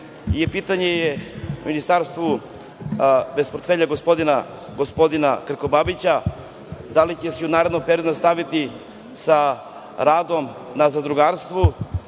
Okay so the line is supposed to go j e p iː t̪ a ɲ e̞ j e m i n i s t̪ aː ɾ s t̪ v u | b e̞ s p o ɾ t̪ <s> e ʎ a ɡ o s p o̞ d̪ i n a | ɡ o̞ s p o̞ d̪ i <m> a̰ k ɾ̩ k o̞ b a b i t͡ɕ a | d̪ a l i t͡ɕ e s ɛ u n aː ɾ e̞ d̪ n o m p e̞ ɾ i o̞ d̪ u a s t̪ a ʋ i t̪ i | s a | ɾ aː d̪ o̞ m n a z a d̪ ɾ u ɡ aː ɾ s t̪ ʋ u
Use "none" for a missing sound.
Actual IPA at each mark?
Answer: f, n

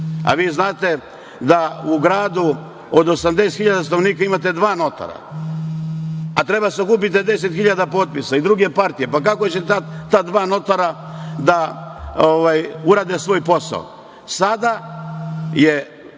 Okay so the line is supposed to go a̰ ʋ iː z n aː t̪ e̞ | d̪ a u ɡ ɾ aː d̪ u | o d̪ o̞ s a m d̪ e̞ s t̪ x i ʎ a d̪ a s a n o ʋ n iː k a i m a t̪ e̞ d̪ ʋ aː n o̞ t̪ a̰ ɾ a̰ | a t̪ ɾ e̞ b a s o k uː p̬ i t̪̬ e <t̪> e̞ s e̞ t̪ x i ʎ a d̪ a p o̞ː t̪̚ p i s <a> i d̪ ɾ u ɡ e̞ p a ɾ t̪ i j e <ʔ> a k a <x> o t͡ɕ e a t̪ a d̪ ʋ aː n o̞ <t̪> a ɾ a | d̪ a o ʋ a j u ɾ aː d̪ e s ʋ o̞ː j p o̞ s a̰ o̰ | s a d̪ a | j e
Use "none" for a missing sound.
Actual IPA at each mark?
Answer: d̪, a, p, k, t̪

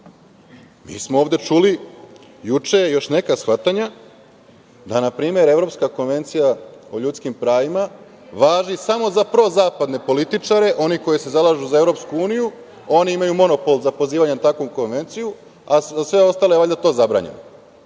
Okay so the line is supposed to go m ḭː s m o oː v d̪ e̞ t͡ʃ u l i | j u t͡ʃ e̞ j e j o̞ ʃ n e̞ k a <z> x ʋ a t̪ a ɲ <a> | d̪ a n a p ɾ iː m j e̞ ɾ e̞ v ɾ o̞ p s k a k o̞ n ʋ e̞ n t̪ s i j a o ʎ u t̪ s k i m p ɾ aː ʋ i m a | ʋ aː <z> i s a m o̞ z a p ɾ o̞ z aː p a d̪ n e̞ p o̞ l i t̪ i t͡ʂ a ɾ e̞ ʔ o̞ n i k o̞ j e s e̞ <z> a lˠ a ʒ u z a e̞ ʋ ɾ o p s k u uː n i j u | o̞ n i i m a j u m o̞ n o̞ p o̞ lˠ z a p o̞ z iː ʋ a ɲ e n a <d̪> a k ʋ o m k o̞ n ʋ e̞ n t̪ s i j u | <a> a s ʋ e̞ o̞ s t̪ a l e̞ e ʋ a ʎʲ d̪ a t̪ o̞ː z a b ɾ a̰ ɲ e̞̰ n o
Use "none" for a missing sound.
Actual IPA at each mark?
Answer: s, a, ʒ, z, t̪, a

